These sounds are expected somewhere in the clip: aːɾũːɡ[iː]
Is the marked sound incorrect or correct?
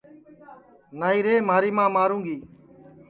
correct